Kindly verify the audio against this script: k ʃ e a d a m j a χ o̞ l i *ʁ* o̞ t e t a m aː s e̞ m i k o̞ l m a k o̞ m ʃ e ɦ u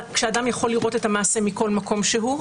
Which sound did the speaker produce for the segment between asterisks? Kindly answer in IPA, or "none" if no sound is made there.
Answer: ʁ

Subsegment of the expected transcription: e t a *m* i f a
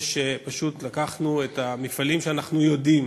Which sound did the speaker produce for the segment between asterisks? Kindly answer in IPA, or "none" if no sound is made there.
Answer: m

